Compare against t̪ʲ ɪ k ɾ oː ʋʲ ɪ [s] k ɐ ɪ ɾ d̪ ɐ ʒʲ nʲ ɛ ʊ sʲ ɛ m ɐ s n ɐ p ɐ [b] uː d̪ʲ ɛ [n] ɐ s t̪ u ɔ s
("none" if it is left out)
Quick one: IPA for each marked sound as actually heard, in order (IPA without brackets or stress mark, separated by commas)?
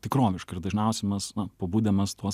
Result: ʃ, b, m